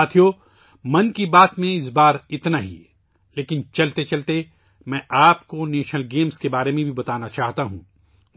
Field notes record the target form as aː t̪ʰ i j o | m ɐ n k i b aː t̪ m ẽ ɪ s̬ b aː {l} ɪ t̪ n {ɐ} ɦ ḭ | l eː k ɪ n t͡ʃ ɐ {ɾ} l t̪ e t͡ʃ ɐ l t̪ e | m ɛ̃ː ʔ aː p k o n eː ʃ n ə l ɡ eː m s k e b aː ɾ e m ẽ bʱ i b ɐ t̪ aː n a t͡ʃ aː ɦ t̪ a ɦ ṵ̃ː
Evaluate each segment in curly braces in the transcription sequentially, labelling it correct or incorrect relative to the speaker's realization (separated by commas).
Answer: incorrect, incorrect, incorrect